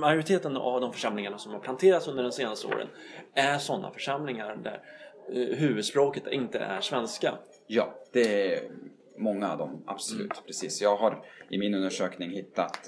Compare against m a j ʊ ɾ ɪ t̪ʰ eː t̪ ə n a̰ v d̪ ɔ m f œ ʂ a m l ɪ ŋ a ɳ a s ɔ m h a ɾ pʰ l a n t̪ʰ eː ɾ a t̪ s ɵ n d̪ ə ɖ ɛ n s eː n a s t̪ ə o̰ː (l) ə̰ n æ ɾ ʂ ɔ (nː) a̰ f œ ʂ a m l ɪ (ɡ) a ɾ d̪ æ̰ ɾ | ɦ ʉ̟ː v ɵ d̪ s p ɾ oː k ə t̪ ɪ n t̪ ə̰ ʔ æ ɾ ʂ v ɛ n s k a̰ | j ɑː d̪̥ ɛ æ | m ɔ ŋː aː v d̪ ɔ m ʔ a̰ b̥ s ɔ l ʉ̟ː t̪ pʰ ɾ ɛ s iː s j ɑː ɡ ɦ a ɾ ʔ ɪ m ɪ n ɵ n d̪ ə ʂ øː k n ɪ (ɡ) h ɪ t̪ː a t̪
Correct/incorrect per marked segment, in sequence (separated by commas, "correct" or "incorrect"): incorrect, correct, incorrect, incorrect